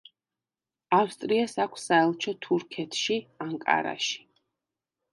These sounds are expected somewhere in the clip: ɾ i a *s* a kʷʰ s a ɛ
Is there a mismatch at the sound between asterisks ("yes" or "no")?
no